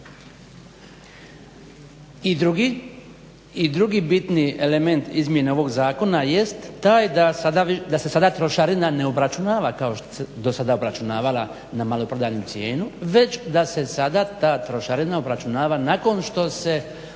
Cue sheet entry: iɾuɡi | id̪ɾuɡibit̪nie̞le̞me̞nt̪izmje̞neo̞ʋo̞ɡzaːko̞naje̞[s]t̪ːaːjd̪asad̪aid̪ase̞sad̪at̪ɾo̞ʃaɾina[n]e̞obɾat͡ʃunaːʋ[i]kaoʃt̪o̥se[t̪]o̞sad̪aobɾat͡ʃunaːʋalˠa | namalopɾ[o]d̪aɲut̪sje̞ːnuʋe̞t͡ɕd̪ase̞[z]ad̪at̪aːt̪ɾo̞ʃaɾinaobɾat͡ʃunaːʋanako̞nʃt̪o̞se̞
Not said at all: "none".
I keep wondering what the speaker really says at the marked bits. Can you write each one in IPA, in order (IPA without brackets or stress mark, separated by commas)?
s, n, a, d̪, o, s